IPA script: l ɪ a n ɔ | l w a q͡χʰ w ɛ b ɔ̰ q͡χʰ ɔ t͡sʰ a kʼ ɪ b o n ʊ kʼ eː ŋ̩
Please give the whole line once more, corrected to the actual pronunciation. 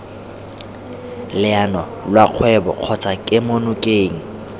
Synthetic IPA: l ɪ a n ɔ | l w a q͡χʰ w ɛ b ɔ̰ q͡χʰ ɔ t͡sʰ a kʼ ɪ m o n ʊ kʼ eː ŋ̩